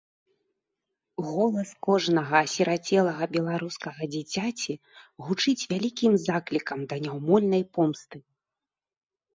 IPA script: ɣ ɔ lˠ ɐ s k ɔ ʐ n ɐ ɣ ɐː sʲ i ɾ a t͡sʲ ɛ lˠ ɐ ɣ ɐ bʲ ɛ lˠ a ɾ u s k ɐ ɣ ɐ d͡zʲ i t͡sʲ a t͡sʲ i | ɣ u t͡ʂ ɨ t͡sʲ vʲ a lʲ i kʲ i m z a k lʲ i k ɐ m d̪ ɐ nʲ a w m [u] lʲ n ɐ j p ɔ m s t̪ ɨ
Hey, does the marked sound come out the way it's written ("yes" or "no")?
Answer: no